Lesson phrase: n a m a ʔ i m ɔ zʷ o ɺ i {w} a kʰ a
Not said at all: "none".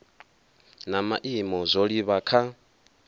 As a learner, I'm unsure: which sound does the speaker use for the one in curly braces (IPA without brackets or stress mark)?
β